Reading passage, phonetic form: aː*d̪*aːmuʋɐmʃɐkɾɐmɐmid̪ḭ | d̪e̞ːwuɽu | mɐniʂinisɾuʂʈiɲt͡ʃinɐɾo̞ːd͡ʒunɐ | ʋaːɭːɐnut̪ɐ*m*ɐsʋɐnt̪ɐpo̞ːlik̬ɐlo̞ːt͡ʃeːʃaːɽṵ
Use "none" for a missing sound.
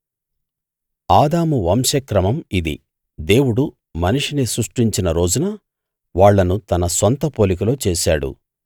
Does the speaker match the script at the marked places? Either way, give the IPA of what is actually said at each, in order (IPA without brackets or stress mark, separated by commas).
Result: d̪, n